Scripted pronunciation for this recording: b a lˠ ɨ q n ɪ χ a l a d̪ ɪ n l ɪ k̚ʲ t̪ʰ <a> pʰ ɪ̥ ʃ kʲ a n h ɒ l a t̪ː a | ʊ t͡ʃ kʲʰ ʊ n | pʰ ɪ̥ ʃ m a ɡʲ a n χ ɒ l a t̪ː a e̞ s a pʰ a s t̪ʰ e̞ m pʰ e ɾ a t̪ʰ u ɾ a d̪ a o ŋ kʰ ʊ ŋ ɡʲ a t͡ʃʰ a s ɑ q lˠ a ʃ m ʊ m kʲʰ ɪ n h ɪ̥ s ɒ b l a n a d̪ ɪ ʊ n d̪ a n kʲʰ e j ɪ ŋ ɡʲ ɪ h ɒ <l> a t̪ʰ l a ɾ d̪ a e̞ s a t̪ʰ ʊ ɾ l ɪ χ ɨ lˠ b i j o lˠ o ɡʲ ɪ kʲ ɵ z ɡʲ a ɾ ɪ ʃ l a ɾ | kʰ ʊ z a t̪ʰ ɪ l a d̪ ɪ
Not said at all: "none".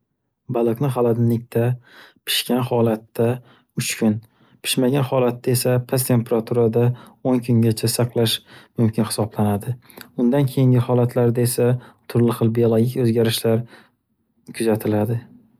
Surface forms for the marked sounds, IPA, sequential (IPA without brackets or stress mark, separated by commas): a, l